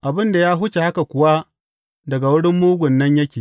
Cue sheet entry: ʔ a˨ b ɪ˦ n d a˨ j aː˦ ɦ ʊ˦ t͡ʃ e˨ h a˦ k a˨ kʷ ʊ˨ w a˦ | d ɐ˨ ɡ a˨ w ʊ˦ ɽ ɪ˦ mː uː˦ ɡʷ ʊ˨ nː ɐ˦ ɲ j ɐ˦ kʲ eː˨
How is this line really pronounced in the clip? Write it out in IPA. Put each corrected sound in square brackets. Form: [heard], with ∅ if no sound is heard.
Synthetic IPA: ʔ a˨ b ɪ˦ n d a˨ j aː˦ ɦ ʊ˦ t͡ʃ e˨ h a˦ k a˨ kʷ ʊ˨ w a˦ | d ɐ˨ ɡ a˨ w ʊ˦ ɽ ɪ˦ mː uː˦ ɡʷ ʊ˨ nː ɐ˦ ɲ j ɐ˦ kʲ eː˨